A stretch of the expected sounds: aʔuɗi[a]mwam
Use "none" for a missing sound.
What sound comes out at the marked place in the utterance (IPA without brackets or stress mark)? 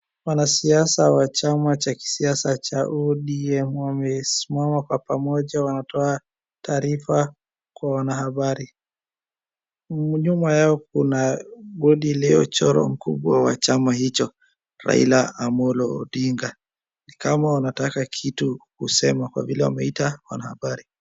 ɛ